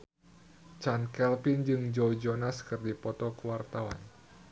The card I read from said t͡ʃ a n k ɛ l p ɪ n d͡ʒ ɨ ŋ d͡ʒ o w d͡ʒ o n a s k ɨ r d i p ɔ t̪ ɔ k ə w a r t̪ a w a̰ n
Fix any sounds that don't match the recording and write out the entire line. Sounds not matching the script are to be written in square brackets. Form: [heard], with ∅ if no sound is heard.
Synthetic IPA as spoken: t͡ʃ a n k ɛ l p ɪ n d͡ʒ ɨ ŋ d͡ʒ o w d͡ʒ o n a s k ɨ r d i p ɔ t̪ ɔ k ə w a r t̪ a w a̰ n